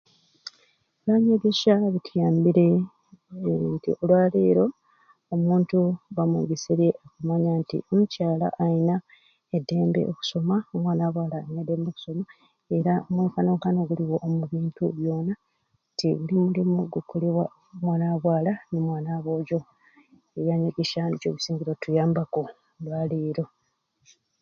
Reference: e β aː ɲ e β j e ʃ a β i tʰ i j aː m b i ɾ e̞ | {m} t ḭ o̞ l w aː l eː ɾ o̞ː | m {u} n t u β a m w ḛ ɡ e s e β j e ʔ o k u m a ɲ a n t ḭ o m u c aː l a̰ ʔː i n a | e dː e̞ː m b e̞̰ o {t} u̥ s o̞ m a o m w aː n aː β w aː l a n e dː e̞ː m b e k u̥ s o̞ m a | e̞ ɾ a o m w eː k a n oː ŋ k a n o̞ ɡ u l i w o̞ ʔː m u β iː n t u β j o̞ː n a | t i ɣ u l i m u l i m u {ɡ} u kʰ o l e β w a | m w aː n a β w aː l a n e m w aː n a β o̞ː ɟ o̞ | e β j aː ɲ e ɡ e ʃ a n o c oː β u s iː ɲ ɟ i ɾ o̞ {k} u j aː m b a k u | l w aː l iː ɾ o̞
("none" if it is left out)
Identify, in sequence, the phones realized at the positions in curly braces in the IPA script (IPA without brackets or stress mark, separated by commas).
n, uː, k, ɡ, t